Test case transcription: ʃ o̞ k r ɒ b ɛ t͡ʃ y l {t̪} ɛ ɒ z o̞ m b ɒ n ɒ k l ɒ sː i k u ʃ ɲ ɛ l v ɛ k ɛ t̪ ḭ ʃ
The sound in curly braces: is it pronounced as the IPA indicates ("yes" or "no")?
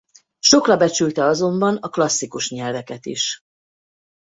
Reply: yes